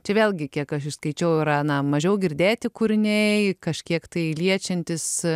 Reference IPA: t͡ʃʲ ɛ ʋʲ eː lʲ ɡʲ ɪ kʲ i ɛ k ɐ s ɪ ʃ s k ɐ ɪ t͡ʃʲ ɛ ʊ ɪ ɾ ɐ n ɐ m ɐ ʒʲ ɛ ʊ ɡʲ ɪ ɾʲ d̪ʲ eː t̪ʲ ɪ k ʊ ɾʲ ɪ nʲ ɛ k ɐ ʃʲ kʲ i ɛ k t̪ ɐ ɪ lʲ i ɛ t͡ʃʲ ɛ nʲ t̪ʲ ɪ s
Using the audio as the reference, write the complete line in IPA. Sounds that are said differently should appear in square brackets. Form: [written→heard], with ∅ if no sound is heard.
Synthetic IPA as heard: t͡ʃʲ ɛ ʋʲ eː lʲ ɡʲ ɪ kʲ i ɛ k ɐ [s→ʃ] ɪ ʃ s k ɐ ɪ t͡ʃʲ ɛ ʊ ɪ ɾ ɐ n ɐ m ɐ ʒʲ ɛ ʊ ɡʲ ɪ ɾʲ d̪ʲ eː t̪ʲ ɪ k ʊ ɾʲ ɪ nʲ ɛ k ɐ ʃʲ kʲ i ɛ k t̪ ɐ ɪ lʲ i ɛ t͡ʃʲ ɛ nʲ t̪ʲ ɪ s